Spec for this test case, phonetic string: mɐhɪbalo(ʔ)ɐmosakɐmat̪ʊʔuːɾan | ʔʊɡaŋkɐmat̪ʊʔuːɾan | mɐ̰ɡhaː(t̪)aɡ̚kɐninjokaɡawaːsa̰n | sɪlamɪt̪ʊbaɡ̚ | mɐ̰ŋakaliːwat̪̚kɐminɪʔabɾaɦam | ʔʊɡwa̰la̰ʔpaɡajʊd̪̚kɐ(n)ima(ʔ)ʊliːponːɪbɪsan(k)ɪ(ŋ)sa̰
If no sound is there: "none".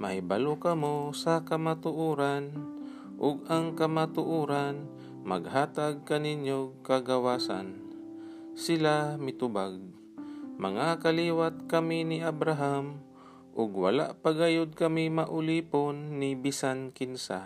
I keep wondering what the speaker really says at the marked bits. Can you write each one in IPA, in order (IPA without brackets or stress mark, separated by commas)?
k, t̪, m, ʔ, k, n